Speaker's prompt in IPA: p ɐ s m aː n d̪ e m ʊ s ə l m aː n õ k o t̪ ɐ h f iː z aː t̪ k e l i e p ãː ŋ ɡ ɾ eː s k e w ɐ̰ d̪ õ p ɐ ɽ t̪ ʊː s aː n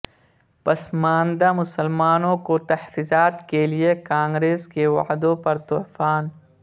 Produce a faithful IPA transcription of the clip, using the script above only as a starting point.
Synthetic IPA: p ɐ s m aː n d̪ a m ʊ s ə l m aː n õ k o t̪ ɐ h f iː z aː t̪ k e l i e k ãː ŋ ɡ ɾ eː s k e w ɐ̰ d̪ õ p ɐ ɾ t̪ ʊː f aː n